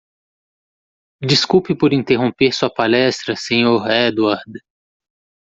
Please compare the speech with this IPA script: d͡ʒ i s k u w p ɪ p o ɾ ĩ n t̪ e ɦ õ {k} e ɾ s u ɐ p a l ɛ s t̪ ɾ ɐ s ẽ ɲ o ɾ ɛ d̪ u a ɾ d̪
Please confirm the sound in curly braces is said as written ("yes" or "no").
no